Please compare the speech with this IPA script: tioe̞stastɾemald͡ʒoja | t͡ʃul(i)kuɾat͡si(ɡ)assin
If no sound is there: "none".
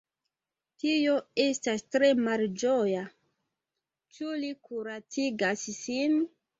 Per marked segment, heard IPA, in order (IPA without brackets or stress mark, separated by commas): i, ɡ